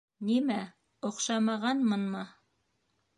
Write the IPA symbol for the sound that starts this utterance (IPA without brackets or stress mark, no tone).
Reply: n